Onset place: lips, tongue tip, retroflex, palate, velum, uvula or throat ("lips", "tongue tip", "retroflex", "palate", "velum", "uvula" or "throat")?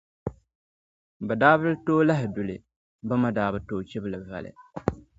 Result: lips